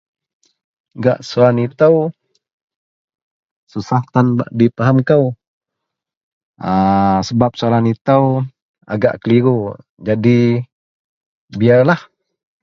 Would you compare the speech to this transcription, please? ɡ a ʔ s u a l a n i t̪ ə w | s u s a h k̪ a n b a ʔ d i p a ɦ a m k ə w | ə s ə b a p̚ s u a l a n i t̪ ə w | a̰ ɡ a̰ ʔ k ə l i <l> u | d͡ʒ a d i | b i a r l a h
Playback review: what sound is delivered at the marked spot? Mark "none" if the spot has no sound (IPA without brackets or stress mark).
ɾ